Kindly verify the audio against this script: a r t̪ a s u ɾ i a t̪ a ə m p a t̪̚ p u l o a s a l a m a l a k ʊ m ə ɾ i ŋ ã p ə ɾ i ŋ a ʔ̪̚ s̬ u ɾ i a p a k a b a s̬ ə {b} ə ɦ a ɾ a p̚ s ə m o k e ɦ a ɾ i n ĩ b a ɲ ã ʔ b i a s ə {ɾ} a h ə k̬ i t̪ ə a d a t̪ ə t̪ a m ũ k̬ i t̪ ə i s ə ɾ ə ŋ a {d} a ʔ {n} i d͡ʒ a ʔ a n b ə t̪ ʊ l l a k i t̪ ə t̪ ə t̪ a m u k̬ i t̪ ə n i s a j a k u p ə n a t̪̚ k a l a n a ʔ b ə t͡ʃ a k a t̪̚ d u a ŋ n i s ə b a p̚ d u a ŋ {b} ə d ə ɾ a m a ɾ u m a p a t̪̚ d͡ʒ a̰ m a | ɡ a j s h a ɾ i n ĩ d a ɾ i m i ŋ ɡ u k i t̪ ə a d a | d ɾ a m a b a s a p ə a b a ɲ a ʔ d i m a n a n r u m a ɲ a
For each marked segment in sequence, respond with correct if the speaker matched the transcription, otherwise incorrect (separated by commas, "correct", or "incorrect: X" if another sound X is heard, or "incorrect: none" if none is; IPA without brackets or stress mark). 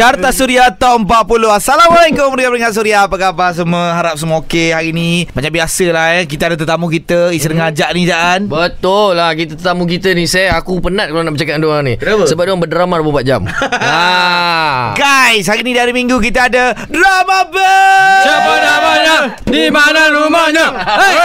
incorrect: m, incorrect: l, incorrect: d͡ʒ, correct, correct